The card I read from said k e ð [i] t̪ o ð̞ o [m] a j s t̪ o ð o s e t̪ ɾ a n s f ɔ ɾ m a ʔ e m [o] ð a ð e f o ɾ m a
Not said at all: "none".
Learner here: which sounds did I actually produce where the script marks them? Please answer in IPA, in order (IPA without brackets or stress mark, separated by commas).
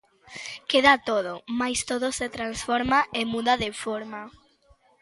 a, m, u